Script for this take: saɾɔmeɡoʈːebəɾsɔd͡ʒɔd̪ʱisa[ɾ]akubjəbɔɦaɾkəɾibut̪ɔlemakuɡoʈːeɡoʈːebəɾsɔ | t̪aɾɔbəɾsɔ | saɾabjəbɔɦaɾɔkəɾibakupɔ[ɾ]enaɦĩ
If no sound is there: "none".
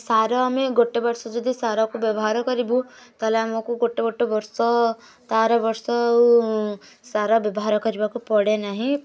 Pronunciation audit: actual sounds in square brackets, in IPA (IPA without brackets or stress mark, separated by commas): ɾ, ɽ